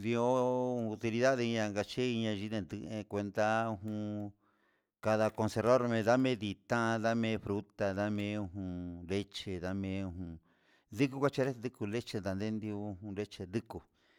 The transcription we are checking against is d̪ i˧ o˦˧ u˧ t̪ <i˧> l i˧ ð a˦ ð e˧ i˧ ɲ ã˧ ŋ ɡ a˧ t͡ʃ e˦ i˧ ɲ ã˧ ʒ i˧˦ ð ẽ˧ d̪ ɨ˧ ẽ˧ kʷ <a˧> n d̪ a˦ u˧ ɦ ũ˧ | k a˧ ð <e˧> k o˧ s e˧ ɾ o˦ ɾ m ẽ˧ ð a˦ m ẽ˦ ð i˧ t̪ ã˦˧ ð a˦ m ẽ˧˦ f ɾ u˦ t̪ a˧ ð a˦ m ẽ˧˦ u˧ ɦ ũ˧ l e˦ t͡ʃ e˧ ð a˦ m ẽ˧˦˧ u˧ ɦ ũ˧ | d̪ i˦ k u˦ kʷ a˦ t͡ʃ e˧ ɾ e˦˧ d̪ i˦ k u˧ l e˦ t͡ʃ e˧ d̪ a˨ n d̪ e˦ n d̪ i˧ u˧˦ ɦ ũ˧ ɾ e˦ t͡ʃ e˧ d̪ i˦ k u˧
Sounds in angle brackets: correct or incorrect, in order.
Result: correct, incorrect: e˧, incorrect: a˧

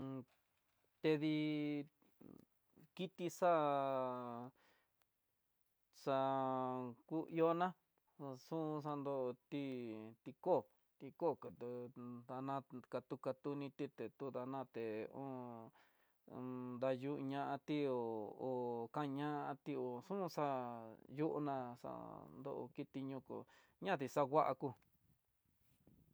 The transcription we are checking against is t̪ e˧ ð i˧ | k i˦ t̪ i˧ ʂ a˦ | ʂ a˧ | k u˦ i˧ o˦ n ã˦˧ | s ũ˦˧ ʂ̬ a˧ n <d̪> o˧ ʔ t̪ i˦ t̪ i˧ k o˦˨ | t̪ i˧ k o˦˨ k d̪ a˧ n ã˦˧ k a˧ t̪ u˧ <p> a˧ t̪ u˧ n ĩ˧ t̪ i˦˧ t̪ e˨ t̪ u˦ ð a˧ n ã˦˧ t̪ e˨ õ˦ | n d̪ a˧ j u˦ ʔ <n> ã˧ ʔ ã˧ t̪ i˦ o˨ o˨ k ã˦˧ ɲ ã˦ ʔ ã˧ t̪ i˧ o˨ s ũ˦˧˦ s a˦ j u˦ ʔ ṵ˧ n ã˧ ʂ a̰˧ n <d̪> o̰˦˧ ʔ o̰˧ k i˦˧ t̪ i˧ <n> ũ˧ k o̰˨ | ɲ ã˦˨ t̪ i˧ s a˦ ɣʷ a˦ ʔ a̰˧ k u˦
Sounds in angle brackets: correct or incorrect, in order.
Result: correct, incorrect: k, incorrect: ɲ, correct, incorrect: ɲ

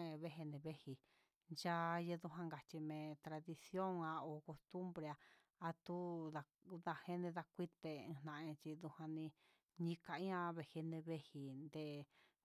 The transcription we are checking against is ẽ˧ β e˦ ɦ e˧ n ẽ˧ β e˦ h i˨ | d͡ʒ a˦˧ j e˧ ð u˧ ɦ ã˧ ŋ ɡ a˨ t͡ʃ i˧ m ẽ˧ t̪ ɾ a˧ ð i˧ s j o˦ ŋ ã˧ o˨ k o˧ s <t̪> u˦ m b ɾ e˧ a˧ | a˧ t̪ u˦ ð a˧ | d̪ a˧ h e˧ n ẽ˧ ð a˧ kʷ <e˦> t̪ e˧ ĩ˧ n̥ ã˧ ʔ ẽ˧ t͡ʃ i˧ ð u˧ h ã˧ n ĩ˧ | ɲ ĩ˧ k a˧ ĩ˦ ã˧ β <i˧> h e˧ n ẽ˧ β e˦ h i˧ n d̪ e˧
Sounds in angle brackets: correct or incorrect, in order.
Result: correct, incorrect: i˦, incorrect: e˧

